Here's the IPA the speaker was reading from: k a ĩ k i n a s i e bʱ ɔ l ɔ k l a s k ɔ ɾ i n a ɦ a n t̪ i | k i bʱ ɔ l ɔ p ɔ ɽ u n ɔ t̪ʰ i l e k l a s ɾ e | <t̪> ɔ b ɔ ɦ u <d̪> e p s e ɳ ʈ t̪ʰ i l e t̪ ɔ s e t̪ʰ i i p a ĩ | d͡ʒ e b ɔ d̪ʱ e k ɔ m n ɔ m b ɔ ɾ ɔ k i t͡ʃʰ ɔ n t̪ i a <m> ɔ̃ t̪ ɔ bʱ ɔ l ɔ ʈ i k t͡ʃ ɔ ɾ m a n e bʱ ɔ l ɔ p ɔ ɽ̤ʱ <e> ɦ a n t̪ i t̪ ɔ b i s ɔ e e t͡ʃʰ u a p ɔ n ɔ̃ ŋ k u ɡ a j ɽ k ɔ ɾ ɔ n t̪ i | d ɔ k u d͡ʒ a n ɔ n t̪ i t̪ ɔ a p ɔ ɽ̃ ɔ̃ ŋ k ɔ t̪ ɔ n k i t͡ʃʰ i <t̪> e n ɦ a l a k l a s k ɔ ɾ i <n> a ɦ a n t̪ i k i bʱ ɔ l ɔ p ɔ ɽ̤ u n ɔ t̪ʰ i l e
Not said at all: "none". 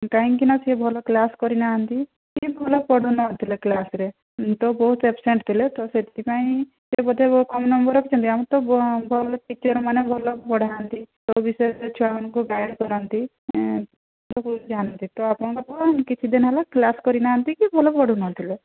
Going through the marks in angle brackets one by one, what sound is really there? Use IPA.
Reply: t̪, t̪, m, a, d̪, n

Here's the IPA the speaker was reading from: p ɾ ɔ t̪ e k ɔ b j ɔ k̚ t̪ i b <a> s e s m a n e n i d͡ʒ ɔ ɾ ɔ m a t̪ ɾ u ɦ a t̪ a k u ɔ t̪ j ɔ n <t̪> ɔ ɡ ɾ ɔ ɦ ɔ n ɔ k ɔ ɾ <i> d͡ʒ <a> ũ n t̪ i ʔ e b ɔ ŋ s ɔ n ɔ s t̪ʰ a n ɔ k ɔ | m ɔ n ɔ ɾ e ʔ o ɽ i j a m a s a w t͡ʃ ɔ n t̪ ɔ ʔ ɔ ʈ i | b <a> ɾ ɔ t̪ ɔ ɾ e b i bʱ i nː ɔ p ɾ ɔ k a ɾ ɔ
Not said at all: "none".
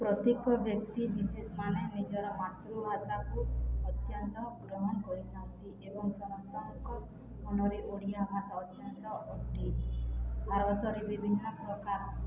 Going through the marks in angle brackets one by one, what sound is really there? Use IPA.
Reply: i, t̪, i, a, a

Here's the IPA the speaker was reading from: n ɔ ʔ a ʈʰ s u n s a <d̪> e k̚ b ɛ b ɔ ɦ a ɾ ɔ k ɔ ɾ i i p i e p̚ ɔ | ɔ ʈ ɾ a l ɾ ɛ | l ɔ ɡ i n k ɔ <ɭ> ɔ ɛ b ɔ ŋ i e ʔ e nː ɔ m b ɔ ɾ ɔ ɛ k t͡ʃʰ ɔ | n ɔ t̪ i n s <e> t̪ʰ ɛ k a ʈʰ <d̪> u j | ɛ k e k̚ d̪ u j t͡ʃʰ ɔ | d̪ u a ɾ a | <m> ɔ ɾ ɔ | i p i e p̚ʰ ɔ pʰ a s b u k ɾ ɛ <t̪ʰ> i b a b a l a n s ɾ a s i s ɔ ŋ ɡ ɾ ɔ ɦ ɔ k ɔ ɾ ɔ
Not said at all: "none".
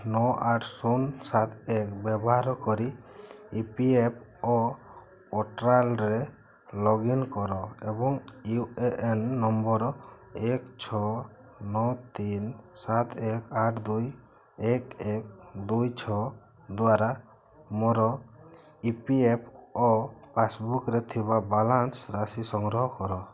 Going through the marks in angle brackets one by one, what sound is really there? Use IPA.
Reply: t̪, ɾ, a, d̪, m, t̪ʰ

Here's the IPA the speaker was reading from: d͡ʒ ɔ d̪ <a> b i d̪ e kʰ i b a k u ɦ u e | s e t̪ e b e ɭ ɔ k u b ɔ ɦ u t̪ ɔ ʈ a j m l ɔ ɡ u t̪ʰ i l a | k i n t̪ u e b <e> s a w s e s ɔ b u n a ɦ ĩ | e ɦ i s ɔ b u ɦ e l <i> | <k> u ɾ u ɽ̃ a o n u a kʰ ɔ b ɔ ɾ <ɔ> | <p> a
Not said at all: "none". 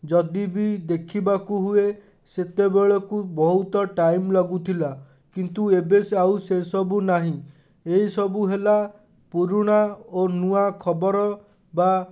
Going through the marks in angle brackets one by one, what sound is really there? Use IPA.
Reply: i, e, a, p, ɔ, b

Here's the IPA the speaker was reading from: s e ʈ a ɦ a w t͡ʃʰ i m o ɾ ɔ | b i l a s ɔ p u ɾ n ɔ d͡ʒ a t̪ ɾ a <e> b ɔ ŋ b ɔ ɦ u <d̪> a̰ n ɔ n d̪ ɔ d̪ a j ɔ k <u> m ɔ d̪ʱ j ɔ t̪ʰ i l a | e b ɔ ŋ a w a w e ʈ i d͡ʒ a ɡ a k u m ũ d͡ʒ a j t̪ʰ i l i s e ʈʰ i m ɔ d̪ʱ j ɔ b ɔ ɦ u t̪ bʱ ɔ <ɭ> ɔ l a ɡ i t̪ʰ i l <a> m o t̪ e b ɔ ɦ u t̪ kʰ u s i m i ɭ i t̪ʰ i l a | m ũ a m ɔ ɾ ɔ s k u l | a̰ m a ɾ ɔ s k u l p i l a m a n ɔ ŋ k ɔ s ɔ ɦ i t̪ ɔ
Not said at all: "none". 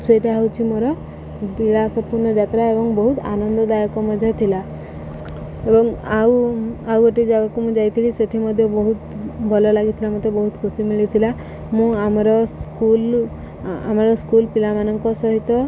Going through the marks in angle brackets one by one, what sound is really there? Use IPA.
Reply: e, t̪, ɔ, l, a

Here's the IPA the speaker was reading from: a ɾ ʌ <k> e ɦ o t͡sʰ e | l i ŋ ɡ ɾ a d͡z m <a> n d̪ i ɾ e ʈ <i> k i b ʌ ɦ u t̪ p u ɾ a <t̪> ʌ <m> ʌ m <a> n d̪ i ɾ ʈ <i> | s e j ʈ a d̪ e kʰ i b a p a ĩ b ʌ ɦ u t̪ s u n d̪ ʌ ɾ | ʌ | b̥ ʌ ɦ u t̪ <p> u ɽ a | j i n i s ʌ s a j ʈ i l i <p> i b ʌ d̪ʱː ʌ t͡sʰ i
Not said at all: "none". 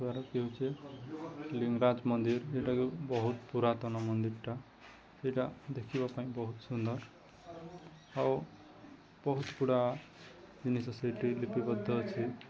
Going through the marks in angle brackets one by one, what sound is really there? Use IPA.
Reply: k, ʌ, a, t̪, n, ʌ, a, p, p

